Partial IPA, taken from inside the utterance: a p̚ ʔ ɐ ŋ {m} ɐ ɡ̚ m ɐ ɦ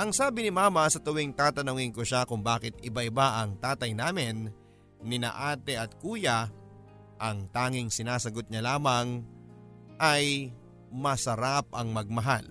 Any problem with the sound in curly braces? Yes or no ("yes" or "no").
no